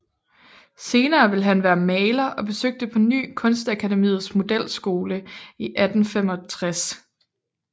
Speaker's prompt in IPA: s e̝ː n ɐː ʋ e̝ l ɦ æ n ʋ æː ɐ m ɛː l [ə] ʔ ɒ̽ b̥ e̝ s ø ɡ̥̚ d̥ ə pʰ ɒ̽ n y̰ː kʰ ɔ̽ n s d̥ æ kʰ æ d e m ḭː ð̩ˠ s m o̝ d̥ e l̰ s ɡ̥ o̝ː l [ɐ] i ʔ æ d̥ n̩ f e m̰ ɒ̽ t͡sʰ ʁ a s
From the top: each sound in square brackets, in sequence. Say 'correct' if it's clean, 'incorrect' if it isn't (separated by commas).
incorrect, incorrect